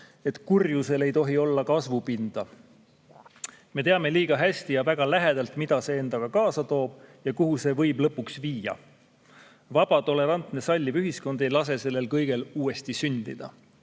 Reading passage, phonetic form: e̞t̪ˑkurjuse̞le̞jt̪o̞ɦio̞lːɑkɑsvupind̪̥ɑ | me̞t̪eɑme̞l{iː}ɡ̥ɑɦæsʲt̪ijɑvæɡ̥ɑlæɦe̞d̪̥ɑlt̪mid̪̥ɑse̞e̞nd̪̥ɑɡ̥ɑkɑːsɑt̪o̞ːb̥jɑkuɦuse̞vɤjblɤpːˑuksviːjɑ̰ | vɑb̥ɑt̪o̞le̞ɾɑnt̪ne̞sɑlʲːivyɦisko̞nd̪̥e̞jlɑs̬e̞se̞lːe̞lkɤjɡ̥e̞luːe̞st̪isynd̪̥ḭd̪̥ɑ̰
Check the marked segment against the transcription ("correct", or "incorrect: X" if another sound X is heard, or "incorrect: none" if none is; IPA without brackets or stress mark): correct